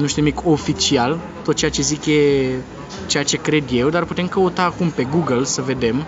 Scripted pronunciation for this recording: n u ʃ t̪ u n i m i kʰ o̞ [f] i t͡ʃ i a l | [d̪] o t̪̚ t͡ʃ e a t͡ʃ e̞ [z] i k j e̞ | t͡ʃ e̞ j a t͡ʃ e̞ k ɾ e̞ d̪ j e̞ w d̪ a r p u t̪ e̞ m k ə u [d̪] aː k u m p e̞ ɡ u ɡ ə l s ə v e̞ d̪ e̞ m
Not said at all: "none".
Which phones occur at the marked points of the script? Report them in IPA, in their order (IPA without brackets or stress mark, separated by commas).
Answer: f, t̪, z, t̪